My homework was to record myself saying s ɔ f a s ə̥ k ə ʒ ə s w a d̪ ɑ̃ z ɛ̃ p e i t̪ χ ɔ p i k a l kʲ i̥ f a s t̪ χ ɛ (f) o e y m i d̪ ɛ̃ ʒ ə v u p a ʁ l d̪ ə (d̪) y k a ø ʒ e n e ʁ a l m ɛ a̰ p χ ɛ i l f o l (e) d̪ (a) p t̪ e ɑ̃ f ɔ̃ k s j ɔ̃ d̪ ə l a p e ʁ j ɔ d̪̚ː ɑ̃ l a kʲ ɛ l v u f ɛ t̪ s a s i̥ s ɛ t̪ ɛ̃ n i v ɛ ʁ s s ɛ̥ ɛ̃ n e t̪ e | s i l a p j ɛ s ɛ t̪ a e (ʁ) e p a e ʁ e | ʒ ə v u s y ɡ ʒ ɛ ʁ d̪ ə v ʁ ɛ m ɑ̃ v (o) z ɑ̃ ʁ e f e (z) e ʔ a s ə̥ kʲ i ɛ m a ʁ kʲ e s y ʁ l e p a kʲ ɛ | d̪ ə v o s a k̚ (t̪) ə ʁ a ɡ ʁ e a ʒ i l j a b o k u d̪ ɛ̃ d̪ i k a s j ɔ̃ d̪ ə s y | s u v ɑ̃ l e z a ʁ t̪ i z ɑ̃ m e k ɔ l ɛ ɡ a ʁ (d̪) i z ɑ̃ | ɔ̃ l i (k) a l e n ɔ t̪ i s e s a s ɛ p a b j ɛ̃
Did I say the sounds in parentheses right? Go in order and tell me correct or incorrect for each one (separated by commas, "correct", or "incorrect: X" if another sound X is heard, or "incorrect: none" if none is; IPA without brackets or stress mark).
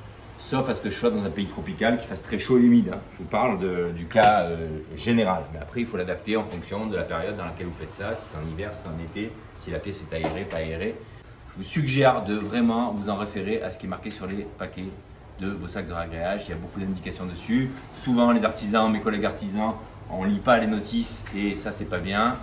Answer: incorrect: ʃ, correct, incorrect: a, correct, correct, incorrect: u, incorrect: ʁ, incorrect: d̪, incorrect: t̪, incorrect: p